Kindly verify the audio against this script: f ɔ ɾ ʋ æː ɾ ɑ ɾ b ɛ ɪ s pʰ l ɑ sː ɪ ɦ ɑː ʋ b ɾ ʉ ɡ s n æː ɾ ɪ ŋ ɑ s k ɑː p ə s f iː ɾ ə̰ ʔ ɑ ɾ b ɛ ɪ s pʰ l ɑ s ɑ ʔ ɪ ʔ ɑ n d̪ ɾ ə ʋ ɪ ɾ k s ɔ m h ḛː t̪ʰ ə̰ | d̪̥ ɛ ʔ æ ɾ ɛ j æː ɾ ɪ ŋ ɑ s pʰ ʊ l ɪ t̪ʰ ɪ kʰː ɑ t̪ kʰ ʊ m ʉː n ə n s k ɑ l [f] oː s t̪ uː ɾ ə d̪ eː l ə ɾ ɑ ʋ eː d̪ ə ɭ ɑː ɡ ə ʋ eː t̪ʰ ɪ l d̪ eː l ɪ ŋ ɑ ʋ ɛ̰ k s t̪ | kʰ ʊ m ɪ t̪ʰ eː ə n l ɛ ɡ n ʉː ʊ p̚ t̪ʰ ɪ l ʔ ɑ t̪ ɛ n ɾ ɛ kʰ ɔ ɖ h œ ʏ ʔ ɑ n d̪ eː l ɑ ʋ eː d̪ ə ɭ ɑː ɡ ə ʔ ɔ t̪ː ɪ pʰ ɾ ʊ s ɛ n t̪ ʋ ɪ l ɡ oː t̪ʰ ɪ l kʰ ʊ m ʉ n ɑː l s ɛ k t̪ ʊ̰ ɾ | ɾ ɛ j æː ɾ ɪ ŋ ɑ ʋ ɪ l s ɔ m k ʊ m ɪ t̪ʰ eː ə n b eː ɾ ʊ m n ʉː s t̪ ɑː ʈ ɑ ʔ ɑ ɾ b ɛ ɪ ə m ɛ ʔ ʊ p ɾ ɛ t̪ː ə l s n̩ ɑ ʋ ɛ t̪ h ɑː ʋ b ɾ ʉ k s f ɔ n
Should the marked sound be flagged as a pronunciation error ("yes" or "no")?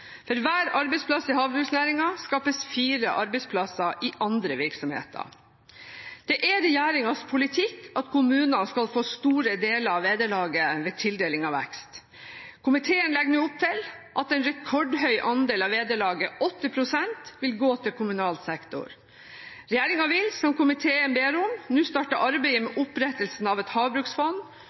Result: no